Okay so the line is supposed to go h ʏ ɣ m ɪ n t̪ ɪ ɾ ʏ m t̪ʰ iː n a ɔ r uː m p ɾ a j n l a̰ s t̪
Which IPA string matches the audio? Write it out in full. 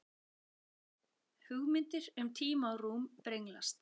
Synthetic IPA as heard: h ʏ ɣ m ɪ n t̪ ɪ ɾ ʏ m t̪ʰ iː m a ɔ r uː m p ɾ e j ŋ l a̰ s t̪